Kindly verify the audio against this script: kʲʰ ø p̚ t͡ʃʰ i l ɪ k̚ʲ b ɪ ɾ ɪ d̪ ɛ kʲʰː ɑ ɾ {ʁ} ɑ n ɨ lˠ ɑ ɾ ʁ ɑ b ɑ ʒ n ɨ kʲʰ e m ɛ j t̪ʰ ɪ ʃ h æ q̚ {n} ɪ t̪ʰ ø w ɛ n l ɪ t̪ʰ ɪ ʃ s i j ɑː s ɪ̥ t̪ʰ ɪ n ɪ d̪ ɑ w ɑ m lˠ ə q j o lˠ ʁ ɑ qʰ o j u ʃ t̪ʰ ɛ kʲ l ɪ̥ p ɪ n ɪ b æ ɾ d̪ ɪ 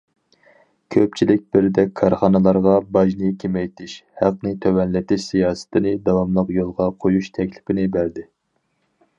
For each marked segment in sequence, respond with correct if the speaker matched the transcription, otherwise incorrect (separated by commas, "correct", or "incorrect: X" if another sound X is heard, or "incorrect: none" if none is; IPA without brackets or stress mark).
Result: incorrect: χ, correct